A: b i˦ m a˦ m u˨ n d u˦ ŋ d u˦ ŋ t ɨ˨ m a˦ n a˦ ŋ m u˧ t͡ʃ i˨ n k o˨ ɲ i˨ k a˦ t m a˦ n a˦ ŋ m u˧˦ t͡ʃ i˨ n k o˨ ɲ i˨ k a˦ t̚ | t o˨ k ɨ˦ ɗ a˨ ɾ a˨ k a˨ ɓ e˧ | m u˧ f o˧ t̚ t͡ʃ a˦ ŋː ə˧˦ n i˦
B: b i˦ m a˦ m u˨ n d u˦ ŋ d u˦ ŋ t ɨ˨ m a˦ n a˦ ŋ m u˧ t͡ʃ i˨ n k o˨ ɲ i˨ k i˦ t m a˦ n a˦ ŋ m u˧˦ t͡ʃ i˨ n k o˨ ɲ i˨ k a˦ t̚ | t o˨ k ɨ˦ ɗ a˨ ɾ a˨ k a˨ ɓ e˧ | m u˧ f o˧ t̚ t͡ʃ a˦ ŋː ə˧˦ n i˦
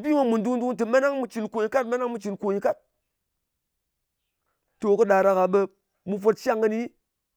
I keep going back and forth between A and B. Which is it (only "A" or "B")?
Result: A